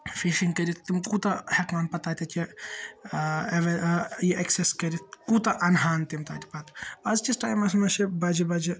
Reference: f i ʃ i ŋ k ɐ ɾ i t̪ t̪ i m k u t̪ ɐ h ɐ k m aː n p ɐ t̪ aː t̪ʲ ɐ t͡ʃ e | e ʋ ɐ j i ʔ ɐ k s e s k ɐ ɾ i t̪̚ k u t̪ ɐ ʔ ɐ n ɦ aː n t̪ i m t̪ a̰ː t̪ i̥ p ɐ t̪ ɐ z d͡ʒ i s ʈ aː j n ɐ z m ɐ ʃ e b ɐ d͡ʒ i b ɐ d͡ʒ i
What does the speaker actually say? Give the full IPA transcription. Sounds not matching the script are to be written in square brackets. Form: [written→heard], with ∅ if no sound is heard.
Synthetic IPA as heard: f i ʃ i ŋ k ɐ ɾ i t̪ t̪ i m k u t̪ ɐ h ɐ k m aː n p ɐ t̪ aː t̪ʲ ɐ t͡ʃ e | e ʋ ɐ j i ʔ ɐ k s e s k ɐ ɾ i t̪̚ k u t̪ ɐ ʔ ɐ n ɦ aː n t̪ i m t̪ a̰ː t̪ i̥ p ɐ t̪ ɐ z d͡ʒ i s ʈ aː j [n→m] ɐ [z→s] m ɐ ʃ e b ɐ d͡ʒ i b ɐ d͡ʒ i